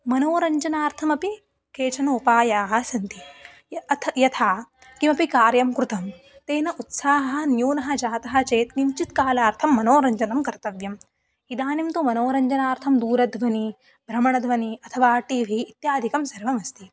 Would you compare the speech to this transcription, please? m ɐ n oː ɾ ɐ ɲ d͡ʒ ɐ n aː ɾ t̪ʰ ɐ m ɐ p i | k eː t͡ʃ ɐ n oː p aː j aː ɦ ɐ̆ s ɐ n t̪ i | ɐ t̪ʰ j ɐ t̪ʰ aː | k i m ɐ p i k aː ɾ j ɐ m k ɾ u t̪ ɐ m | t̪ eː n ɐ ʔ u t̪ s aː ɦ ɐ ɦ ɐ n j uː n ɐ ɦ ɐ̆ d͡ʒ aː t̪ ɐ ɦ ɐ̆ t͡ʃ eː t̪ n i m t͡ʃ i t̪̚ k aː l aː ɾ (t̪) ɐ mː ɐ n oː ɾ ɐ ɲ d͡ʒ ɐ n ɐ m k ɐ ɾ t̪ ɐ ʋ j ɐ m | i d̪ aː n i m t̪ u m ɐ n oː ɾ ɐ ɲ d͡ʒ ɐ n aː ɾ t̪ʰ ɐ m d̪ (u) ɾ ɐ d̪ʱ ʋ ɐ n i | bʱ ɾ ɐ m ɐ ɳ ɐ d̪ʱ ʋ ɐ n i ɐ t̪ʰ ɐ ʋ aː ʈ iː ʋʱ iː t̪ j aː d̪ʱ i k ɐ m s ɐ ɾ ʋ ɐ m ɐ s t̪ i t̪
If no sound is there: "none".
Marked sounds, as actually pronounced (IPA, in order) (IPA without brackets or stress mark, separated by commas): t̪ʰ, uː